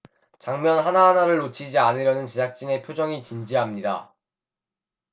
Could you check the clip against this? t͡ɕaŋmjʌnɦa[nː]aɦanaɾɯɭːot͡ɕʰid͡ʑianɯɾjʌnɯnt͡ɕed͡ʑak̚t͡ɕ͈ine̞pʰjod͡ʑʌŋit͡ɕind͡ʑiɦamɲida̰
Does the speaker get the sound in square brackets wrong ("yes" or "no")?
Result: yes